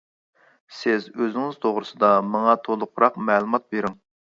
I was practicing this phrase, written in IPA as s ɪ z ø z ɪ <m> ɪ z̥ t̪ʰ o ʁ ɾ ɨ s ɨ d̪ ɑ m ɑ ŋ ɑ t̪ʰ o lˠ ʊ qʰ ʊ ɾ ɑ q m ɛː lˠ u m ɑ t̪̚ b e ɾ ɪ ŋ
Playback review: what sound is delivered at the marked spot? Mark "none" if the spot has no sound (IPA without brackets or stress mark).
ŋ